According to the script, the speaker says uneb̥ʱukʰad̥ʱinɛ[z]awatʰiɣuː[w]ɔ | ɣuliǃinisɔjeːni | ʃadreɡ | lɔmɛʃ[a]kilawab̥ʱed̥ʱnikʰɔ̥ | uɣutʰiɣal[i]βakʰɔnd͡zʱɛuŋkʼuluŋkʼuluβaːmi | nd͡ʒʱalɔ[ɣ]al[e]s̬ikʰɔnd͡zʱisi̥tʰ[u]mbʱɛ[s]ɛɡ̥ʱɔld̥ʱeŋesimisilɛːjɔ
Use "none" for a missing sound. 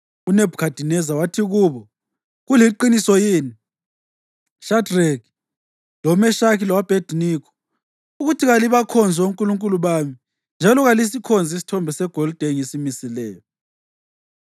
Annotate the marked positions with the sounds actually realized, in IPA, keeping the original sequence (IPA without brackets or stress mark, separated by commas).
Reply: z, β, a, i, ɣ, i, ɔ, s